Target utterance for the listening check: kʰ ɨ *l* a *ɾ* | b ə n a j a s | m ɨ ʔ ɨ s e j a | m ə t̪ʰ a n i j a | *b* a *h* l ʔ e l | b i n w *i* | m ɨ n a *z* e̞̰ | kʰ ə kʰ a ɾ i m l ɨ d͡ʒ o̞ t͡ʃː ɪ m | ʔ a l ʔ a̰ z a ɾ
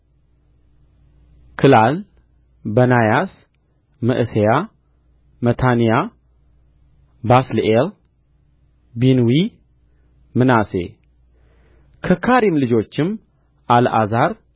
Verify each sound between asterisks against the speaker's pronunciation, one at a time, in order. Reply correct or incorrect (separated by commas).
correct, incorrect, correct, incorrect, correct, incorrect